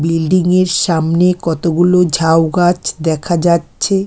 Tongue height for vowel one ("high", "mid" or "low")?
high